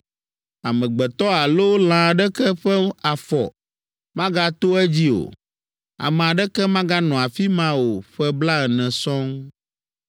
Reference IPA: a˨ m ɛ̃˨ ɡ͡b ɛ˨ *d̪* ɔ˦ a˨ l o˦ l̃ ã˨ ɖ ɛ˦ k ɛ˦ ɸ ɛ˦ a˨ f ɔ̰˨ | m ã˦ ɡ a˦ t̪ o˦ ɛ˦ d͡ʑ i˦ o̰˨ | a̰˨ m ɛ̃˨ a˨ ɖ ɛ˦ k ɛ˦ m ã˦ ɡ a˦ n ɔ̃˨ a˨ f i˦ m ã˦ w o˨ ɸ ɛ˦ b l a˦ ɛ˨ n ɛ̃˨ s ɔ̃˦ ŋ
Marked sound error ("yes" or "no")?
yes